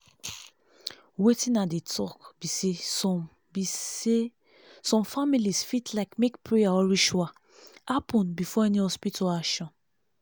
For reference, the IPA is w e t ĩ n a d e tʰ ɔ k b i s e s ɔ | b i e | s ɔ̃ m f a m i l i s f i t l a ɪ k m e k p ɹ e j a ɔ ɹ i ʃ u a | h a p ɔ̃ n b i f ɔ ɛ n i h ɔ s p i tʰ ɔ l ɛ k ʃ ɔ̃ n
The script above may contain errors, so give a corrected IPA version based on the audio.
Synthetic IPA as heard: w e t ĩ n a d e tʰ ɔ k b i s e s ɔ | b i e | s ɔ̃ m f a m i l i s f i t l a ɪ k m e k p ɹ e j a ɔ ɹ i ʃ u a | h a p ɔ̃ n b i f ɔ ɛ n i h ɔ s p i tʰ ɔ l a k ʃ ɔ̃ n

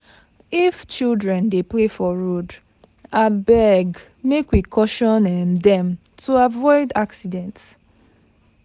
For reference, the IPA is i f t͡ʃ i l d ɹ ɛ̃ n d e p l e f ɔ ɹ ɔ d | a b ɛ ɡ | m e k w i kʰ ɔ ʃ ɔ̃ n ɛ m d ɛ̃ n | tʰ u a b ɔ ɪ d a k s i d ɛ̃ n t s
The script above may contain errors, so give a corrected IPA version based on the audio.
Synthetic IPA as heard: i f t͡ʃ i l d ɹ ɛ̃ n d e p l e f ɔ ɹ o d | a b ɛ ɡ | m e k w i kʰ ɔ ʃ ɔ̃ n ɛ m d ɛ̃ m | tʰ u a v ɔ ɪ d a k s i d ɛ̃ n t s

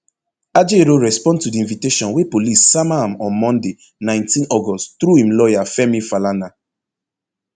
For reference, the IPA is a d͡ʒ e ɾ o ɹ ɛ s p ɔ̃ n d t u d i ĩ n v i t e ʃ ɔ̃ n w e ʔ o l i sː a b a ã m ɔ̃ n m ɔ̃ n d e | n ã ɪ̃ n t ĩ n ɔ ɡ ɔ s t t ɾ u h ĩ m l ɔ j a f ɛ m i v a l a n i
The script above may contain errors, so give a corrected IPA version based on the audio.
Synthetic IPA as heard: a d͡ʒ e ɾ o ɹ ɛ s p ɔ̃ n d t u d i ĩ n v i t e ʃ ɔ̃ n w e p o l i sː a m a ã m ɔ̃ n m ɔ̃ n d e | n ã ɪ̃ n t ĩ n ɔ ɡ ɔ s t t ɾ u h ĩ m l ɔ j a f ɛ m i f a l a n a

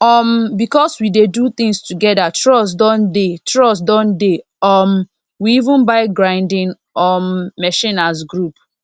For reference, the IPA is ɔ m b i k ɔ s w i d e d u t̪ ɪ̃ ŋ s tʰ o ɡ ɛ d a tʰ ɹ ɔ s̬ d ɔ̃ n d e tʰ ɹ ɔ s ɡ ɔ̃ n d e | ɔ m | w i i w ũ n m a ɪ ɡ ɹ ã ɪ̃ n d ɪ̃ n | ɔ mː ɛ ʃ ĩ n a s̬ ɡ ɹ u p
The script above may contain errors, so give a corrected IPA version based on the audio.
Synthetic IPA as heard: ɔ m b i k ɔ s w i d e d u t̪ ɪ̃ ŋ s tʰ u ɡ ɛ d a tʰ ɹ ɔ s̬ d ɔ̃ n d e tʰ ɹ ɔ s d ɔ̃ n d e | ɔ m | w i i v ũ n b a ɪ ɡ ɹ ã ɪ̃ n d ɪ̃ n | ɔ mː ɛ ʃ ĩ n a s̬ ɡ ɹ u p

